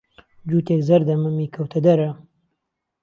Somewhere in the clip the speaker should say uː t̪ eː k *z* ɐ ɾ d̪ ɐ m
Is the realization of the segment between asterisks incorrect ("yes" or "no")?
no